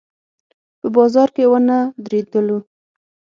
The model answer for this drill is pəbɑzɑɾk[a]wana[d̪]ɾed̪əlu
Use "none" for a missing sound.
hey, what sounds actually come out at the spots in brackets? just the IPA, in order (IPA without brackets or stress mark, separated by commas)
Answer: e, d̪